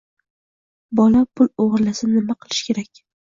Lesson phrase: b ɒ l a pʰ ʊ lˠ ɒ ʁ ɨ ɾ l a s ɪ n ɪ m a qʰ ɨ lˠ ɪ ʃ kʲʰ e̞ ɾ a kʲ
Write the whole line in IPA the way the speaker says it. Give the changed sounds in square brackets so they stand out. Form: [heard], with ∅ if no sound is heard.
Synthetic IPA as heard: b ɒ l a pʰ ʊ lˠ [o] ʁ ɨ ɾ l a s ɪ n ɪ m a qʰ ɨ lˠ ɪ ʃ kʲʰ e̞ ɾ a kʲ